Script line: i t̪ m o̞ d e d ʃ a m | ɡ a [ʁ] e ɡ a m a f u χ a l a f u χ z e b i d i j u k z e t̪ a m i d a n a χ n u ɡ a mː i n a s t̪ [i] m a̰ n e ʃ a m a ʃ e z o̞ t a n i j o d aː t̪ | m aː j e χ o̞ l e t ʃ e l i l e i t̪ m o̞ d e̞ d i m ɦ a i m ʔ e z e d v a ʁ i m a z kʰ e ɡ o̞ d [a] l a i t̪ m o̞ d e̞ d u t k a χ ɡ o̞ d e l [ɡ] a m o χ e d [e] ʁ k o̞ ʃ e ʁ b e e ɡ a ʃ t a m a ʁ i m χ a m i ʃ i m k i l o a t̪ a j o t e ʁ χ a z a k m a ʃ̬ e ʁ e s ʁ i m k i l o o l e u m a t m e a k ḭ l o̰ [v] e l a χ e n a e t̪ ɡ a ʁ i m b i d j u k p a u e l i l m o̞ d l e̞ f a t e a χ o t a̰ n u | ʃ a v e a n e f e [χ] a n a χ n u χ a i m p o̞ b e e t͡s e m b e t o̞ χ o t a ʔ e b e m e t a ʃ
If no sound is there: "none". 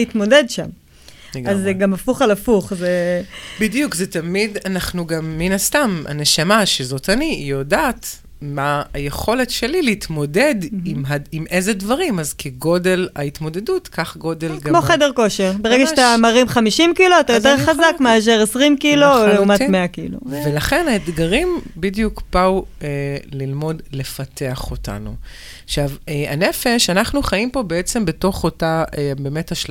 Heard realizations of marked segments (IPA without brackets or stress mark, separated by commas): z, a, e, ɡ, e, v, ʃ